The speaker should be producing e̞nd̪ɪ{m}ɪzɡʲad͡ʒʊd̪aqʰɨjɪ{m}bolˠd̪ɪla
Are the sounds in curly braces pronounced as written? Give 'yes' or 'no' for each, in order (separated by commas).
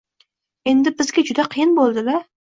no, no